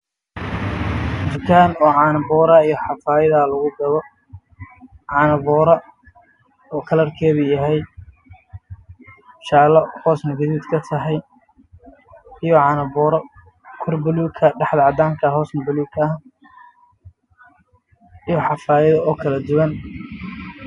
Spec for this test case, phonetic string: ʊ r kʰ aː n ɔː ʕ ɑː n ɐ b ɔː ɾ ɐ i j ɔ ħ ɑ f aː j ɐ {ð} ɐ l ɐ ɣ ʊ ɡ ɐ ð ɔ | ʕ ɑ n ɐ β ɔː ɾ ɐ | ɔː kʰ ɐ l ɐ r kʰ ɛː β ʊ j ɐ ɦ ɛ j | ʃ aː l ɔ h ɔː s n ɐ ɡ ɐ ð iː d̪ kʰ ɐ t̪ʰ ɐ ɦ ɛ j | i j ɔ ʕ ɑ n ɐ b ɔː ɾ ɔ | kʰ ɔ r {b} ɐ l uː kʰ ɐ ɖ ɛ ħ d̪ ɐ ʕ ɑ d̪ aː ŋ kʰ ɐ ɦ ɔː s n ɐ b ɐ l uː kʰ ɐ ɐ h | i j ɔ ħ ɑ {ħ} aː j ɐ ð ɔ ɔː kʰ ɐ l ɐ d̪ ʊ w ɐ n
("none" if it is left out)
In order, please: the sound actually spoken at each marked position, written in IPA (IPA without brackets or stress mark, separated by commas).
ð, b, f